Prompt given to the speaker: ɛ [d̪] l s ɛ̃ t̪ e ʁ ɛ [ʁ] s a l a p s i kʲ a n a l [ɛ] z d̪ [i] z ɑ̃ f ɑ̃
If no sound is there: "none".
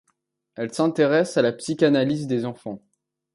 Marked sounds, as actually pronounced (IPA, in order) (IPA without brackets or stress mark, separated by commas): none, none, i, e